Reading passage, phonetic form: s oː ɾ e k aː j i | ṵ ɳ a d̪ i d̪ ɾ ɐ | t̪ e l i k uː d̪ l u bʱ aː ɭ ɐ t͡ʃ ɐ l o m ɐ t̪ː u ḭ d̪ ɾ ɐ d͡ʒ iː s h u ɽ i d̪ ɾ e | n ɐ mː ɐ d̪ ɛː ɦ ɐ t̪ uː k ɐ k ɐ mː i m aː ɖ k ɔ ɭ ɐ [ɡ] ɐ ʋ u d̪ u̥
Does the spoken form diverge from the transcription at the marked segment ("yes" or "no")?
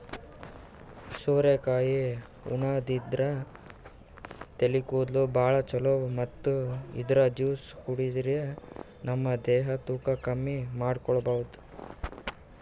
yes